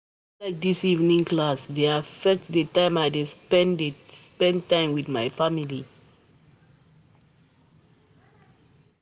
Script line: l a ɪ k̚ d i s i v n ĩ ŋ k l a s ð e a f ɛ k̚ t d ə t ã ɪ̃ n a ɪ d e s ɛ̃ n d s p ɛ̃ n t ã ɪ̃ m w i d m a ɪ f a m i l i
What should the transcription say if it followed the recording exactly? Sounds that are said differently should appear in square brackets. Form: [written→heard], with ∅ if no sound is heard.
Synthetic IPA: l a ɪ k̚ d i s i v n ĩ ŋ k l a s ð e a f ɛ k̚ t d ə t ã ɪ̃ [n→m] a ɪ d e s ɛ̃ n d s p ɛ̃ n t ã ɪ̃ m w i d m a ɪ f a m i l i